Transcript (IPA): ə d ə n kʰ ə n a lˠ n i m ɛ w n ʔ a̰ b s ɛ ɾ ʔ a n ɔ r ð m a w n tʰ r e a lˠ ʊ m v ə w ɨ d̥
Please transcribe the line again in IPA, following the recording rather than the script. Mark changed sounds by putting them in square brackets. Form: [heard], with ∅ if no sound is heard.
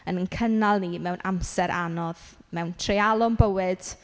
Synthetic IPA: ə [n] ə n kʰ ə n a lˠ n i m ɛ w n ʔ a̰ [m] s ɛ ɾ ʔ a n ɔ [∅] ð m [ɛ] w n tʰ r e a lˠ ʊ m [b] ə w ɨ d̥